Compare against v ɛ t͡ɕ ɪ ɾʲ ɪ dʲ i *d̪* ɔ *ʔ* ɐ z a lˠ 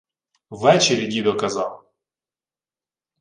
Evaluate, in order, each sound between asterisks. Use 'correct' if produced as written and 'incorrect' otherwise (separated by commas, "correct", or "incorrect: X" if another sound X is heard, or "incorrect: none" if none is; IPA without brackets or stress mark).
correct, incorrect: k